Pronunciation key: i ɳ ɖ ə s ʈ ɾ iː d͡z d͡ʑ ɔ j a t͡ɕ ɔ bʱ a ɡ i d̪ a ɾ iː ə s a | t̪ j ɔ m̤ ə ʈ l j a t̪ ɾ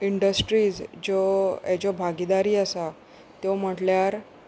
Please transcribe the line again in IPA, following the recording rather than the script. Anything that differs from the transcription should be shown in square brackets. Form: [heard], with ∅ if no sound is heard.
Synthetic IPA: i ɳ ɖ ə s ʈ ɾ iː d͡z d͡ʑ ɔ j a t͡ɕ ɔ bʱ a ɡ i d̪ a ɾ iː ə s a | t̪ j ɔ m̤ ə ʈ l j a [∅] ɾ